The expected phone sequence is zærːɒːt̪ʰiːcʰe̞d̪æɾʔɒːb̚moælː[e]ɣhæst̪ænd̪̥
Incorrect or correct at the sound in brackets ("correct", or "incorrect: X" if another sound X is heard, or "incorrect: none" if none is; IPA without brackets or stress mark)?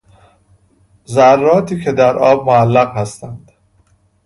incorrect: æ